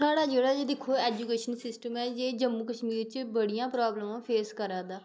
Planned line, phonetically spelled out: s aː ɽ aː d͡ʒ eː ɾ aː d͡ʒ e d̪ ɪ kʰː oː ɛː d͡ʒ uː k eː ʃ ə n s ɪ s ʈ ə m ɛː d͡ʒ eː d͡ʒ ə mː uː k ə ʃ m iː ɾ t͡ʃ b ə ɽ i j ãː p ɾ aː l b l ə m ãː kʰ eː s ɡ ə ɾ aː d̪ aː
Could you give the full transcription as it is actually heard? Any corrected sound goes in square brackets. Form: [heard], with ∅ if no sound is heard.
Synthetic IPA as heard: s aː ɽ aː d͡ʒ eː [ɽ] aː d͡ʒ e d̪ ɪ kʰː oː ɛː d͡ʒ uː k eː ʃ ə n s ɪ s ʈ ə m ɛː d͡ʒ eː d͡ʒ ə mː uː k ə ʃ m iː ɾ t͡ʃ b ə ɽ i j ãː p ɾ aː [∅] b l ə m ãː [pʰ] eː s [k] ə ɾ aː d̪ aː